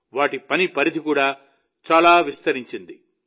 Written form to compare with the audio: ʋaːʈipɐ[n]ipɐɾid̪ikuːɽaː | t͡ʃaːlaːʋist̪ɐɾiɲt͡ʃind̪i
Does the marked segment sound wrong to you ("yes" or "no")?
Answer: no